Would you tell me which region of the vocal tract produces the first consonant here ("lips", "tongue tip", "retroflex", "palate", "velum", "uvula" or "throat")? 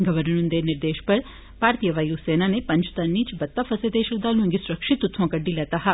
velum